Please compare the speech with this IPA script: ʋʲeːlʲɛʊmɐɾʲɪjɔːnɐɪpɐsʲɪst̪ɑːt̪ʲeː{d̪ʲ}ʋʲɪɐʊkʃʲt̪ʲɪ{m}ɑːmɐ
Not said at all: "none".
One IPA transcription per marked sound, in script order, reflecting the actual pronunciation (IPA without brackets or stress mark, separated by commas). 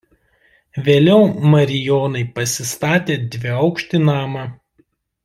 d̪ʲ, n